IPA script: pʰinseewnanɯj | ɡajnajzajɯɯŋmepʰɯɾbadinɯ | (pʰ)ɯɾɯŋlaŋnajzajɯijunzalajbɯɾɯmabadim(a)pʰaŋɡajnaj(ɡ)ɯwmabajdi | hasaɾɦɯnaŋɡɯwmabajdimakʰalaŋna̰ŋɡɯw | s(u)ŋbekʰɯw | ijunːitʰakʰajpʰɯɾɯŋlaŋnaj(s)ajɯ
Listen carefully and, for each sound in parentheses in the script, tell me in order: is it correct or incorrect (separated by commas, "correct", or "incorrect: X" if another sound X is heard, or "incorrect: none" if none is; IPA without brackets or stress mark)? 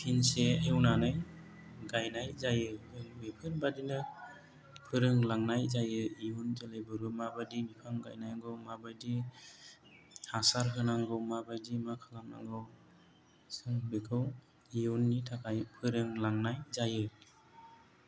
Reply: correct, incorrect: i, correct, incorrect: ɯ, incorrect: z